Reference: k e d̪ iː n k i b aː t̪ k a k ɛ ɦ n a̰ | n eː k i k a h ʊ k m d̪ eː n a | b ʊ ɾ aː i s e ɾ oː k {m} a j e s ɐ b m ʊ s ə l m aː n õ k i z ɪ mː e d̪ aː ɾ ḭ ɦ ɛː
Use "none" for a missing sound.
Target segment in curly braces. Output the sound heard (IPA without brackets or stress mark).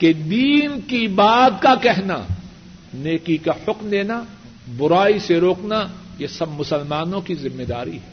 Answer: n